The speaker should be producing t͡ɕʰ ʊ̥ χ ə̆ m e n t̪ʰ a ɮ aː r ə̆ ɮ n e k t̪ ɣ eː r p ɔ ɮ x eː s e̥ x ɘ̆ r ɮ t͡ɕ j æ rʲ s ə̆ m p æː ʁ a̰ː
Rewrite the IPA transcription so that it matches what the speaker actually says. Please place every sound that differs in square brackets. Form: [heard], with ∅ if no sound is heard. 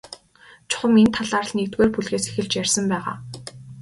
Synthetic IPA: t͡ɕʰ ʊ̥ χ ə̆ m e n t̪ʰ a ɮ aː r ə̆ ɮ n e k t̪ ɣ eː r p [u] ɮ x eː s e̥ x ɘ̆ [∅] ɮ t͡ɕ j æ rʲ s ə̆ m p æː ʁ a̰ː